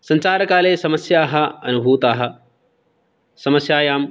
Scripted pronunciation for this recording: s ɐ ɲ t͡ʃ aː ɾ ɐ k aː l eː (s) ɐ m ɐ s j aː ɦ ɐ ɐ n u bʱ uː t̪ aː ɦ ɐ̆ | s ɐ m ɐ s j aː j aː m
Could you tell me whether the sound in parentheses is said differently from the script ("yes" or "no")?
no